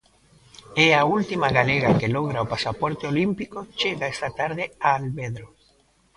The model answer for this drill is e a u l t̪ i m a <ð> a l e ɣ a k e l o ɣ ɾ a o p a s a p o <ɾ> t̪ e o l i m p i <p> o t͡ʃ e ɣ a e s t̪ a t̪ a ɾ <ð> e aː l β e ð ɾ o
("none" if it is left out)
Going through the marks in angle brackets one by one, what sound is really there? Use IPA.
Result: ɣ, ɾ, k, ð

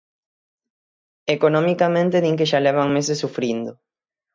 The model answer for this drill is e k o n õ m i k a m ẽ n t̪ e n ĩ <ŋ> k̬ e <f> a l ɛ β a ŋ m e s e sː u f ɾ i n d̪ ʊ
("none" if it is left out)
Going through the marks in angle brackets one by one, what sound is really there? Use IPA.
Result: ŋ, ʃ

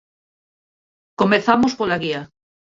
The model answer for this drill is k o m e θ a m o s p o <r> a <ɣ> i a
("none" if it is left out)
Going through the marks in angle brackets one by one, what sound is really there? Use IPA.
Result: l, ɣ

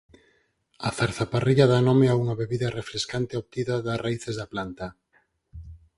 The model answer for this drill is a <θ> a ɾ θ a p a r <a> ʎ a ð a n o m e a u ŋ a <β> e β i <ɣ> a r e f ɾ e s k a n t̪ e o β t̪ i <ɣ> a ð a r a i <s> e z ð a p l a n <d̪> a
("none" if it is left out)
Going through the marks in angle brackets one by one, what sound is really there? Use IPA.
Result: θ, i, β, ð, ð, θ, t̪

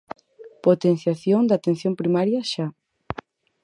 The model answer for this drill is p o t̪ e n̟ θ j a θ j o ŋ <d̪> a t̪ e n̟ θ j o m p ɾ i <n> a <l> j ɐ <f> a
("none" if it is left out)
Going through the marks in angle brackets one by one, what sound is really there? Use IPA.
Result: d̪, m, ɾ, ʃ

